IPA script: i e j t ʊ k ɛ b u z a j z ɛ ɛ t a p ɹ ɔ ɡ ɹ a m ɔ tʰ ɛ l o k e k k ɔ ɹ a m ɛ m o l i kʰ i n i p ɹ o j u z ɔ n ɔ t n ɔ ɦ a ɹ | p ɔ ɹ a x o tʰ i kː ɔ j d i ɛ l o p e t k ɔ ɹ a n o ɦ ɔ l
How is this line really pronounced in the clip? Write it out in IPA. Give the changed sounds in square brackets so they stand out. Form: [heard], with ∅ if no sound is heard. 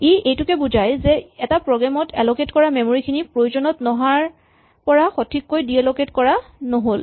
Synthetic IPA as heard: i e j t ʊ k ɛ b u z a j z ɛ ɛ t a p ɹ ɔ ɡ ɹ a m ɔ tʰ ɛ l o k e [t] k ɔ ɹ a m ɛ m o [ɹ] i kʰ i n i p ɹ o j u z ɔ n ɔ t n ɔ ɦ a ɹ | p ɔ ɹ a x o tʰ i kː [o] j d i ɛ l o [k] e t k ɔ ɹ a n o ɦ [o] l